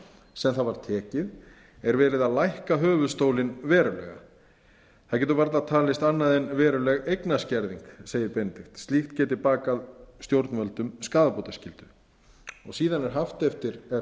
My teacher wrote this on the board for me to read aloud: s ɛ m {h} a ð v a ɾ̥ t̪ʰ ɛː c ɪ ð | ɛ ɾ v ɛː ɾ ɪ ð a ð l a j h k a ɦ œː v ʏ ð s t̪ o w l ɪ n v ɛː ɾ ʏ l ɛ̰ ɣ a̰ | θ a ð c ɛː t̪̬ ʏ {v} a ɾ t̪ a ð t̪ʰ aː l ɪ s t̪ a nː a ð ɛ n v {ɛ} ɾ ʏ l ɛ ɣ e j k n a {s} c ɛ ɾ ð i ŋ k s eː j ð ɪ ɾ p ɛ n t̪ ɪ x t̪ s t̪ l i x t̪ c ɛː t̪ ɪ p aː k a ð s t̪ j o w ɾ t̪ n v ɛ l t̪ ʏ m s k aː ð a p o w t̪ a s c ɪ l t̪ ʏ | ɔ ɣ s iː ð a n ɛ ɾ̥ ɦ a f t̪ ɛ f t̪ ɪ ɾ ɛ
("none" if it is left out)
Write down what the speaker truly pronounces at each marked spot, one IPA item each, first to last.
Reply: θ, v, ɛː, s

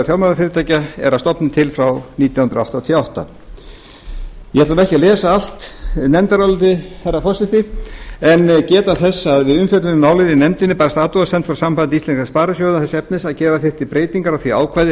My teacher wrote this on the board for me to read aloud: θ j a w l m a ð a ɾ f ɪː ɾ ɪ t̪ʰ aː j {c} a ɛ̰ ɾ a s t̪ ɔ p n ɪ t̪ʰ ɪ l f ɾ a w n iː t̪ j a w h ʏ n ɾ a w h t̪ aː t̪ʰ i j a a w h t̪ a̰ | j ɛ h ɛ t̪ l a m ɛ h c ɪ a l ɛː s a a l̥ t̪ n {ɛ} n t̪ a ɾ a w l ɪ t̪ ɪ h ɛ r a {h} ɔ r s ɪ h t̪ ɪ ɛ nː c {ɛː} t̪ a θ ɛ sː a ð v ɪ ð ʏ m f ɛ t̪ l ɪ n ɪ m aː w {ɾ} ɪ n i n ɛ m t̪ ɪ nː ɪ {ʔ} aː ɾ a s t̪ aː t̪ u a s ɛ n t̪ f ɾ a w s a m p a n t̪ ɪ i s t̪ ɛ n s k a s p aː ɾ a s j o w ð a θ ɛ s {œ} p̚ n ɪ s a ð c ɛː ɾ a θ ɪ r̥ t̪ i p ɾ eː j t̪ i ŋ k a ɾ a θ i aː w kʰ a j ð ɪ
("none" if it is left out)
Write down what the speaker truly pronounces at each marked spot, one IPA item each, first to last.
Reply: c, ɛ, f, ɛː, l, p, ɛ

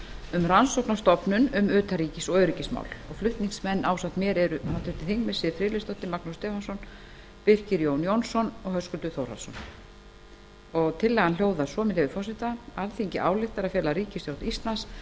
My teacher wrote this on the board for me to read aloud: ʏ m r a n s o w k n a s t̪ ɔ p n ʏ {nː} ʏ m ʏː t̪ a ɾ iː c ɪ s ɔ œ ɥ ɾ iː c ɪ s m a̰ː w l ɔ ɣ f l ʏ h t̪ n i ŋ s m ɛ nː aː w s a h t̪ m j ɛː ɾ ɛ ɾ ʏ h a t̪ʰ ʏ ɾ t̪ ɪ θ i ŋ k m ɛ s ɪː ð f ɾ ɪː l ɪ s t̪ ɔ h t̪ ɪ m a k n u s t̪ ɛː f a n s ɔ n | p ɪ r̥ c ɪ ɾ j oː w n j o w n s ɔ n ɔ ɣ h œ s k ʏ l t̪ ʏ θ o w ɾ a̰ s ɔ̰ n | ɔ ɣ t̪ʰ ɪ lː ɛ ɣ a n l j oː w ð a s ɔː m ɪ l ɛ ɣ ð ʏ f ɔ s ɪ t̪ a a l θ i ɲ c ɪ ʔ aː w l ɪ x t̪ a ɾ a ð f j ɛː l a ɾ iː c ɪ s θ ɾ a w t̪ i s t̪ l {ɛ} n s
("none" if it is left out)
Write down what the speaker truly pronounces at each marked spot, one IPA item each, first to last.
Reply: n, a

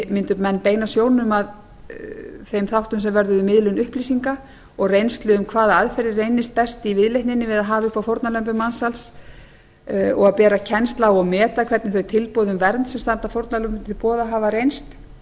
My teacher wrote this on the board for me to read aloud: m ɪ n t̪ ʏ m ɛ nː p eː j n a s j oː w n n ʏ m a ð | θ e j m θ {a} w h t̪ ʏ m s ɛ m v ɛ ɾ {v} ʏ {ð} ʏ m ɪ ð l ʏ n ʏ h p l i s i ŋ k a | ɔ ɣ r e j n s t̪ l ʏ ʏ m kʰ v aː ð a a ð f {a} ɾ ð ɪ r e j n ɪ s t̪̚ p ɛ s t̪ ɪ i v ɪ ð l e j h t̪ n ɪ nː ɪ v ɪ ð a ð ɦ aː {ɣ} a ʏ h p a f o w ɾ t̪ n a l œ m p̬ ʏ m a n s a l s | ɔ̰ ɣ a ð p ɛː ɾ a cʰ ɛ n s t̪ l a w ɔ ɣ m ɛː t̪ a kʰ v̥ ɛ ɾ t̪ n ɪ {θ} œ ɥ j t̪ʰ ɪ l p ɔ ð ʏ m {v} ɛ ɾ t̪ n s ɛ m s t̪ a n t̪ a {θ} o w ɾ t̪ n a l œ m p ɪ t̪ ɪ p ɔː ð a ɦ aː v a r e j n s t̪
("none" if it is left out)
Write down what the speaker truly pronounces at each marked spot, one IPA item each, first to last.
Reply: a, ð, ð, ɛ, v, θ, v, f

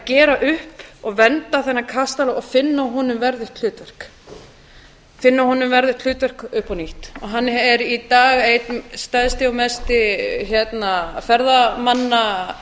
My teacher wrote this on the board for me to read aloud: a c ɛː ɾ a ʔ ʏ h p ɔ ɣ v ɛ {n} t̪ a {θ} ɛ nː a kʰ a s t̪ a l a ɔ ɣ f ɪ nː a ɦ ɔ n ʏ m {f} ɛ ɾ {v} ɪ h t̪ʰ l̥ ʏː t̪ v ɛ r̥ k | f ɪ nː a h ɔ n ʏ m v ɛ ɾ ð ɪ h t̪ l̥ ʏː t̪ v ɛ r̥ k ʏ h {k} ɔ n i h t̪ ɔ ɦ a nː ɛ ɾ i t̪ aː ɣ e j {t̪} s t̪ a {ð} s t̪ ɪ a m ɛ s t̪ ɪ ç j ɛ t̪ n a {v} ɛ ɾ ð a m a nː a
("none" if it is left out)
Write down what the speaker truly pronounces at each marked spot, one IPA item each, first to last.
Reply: n, θ, v, ð, p, t̪, ð, f

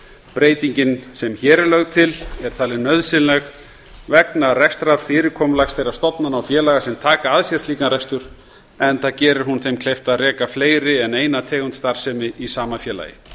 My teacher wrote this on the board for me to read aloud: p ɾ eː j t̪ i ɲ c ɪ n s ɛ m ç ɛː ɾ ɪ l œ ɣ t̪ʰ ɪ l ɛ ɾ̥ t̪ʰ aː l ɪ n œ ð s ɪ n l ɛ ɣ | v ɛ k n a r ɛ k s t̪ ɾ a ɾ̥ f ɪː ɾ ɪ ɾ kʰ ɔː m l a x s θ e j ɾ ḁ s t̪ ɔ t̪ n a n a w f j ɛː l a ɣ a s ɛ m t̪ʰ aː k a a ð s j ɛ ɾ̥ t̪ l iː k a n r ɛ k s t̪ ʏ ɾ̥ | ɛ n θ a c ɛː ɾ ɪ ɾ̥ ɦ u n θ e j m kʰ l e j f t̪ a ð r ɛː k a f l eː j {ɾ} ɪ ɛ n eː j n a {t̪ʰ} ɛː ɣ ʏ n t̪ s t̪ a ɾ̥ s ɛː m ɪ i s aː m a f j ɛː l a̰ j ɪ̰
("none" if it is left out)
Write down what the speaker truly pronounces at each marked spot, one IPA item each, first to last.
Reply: ɾ, t̪ʰ

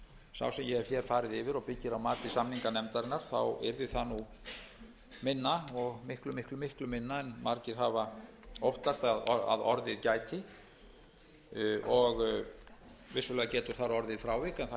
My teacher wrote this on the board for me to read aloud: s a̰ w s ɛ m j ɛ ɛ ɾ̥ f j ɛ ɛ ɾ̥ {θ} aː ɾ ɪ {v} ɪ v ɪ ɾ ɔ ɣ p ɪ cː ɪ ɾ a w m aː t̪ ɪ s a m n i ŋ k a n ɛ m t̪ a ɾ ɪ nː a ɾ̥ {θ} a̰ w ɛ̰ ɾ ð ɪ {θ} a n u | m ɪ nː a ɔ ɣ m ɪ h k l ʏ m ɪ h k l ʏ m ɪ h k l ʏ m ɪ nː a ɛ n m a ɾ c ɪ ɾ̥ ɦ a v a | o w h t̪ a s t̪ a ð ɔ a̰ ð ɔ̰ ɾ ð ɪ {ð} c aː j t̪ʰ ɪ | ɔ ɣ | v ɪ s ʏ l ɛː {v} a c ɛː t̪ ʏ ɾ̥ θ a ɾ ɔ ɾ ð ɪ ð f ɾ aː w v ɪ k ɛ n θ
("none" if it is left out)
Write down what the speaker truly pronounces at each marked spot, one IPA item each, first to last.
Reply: f, ð, θ, θ, ð, ɣ

